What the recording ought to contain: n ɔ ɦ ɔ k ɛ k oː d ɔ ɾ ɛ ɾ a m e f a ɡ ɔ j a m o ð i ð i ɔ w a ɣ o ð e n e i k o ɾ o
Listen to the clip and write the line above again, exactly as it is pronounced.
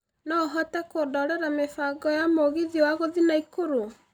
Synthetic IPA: n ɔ ɦ ɔ t ɛ k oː d ɔ ɾ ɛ ɾ a m e f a ɡ ɔ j a m o ɣ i ð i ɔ w a ɣ o ð i n a i k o ɾ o